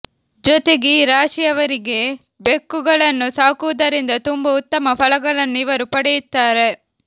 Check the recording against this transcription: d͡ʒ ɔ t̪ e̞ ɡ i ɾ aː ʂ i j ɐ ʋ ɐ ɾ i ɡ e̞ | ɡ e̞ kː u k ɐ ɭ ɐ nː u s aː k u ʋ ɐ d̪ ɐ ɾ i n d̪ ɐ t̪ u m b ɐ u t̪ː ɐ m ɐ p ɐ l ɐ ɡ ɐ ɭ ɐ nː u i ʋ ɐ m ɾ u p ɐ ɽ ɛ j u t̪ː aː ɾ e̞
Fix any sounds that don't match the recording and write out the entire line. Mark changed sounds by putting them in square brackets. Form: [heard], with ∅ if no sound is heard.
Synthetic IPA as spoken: d͡ʒ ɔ t̪ e̞ ɡ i ɾ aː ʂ i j ɐ ʋ ɐ ɾ i ɡ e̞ | [b] e̞ kː u [ɡ] ɐ ɭ ɐ nː u s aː k u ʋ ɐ d̪ ɐ ɾ i n d̪ ɐ t̪ u m b ɐ u t̪ː ɐ m ɐ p ɐ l ɐ ɡ ɐ ɭ ɐ nː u i ʋ ɐ [∅] ɾ u p ɐ ɽ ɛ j u t̪ː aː ɾ e̞